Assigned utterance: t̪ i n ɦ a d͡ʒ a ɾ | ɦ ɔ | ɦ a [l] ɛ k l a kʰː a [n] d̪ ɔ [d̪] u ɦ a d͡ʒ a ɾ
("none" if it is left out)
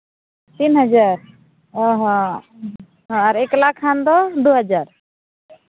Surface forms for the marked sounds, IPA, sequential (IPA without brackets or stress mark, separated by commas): ɾ, n, d̪